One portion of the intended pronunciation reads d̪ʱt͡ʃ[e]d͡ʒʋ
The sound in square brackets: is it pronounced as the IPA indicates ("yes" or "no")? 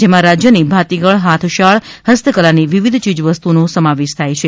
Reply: no